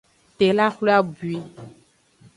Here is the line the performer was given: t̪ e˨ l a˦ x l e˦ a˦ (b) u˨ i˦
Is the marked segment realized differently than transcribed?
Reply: no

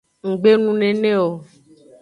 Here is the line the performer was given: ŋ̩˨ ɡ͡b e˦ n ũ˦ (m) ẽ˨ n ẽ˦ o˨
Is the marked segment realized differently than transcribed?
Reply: yes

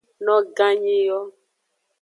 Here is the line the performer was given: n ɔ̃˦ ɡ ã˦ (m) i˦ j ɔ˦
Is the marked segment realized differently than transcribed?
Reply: yes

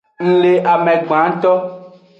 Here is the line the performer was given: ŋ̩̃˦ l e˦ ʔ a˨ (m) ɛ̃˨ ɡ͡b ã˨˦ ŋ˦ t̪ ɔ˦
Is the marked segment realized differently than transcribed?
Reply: no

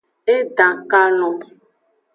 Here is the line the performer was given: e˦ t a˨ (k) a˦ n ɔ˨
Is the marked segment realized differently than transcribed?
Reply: no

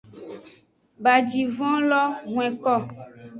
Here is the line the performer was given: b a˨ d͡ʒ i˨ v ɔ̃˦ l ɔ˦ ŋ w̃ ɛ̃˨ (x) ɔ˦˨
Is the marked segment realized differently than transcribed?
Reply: yes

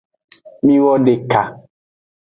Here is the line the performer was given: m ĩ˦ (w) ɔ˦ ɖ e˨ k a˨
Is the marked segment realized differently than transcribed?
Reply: no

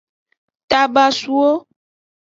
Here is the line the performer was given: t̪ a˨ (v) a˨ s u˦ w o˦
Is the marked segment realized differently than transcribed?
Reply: yes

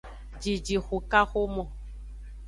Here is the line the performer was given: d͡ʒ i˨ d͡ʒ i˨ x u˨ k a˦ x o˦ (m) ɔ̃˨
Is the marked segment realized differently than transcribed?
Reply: no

